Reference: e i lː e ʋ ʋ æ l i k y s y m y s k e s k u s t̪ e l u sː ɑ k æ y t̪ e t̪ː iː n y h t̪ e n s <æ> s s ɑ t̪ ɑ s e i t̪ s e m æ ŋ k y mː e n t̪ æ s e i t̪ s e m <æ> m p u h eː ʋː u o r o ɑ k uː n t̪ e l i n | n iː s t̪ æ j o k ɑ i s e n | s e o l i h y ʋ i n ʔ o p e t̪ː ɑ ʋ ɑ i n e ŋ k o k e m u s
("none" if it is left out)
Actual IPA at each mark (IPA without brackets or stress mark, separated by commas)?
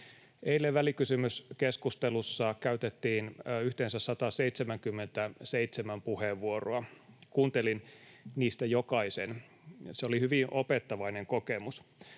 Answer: æ, æ